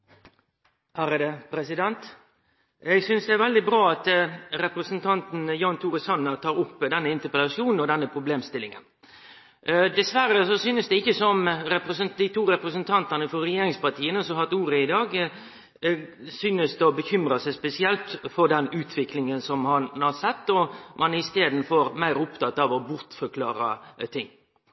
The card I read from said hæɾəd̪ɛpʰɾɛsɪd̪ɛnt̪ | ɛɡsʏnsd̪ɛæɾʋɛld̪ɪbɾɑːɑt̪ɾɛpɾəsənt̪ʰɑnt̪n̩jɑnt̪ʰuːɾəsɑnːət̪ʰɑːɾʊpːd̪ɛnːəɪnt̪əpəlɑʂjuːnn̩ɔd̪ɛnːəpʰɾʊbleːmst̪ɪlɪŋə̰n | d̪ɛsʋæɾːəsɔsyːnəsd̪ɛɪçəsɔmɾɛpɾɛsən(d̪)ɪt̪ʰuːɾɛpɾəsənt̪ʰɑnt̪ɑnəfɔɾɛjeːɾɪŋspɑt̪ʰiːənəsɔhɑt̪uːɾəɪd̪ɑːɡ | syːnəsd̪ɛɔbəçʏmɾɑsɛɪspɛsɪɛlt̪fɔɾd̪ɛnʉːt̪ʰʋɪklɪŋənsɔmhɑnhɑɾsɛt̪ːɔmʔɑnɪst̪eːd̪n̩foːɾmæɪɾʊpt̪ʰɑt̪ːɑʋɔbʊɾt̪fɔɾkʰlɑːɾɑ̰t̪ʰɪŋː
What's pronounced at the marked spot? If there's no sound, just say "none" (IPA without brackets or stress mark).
d̪